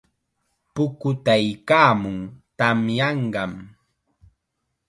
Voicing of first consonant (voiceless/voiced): voiceless